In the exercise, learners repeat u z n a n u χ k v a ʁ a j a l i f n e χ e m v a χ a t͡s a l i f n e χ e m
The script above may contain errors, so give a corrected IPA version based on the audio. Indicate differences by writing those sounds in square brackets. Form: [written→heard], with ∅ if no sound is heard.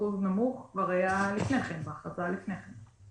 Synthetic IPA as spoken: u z n a [n→m] u χ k v a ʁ a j a l i f n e χ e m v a χ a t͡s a l i f n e χ e m